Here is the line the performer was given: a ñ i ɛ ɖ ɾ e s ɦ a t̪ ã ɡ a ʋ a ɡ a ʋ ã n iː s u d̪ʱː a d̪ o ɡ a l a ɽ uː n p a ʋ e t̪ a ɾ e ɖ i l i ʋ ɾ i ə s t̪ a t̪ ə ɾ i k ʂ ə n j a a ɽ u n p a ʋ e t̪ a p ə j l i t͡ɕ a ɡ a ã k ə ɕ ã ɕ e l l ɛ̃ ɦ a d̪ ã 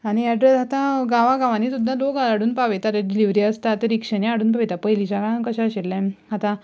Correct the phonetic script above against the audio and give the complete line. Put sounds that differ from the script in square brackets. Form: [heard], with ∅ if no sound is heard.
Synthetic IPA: a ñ i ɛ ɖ ɾ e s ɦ a t̪ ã ɡ a ʋ a ɡ a ʋ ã n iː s u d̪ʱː a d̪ o ɡ a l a ɽ uː n p a ʋ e t̪ a ɾ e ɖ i l i ʋ ɾ i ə s t̪ a t̪ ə ɾ i k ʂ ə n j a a ɽ [uː] n p a ʋ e t̪ a p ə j l i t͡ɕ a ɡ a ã k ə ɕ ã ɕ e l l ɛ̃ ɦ a [t̪] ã

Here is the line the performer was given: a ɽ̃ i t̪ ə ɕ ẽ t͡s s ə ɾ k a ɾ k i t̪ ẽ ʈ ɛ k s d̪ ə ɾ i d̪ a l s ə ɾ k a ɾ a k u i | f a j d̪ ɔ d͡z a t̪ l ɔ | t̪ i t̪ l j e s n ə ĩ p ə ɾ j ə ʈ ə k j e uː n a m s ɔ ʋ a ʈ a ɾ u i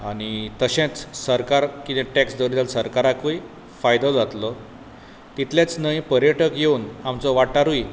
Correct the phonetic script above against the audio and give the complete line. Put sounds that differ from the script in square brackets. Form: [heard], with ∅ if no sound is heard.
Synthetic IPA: a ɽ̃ i t̪ ə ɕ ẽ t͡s s ə ɾ k a ɾ k i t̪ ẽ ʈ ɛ k s d̪ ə ɾ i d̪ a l s ə ɾ k a ɾ a k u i | f a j d̪ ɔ d͡z a t̪ l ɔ | t̪ i t̪ l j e [t͡s] n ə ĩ p ə ɾ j ə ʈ ə k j e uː n a m [t͡s] ɔ ʋ a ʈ a ɾ u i

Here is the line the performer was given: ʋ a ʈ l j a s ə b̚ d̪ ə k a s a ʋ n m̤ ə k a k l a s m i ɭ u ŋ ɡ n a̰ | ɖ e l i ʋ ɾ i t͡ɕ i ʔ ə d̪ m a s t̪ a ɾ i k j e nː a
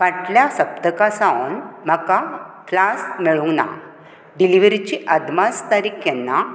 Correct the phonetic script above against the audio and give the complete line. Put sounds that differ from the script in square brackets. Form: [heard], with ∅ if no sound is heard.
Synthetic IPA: ʋ a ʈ l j a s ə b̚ d̪ ə k a s a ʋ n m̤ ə k a k l a s m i ɭ u ŋ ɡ n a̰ | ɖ [i] l i ʋ ɾ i t͡ɕ i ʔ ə d̪ m a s t̪ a ɾ i k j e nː a

